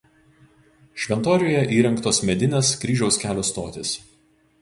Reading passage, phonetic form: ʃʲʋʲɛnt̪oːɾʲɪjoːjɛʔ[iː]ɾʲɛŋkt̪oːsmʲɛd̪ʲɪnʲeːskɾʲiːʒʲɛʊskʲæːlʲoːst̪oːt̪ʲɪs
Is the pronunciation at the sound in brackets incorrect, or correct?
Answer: correct